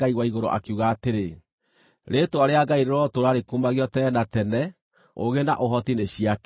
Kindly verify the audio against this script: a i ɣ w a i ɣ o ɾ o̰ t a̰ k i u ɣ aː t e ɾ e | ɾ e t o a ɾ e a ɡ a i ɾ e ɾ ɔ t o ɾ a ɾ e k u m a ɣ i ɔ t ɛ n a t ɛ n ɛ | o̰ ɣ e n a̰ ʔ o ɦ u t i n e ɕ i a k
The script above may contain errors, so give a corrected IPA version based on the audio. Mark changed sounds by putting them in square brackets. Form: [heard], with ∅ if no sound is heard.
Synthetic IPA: a i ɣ w a i ɣ o ɾ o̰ [ʔ] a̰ k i u ɣ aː t e ɾ e | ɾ e t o a ɾ e a ɡ a i ɾ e ɾ ɔ t o ɾ a ɾ e k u m a ɣ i ɔ t ɛ n a t ɛ n ɛ | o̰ ɣ e n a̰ ʔ o ɦ [ɔ] t i n e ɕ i a k

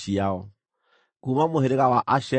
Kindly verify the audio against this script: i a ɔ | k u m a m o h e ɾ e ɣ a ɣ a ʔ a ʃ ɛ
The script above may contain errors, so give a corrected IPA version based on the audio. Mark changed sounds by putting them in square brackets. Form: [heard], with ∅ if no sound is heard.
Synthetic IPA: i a ɔ | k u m a m o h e ɾ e ɣ a [w] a ʔ a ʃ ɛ

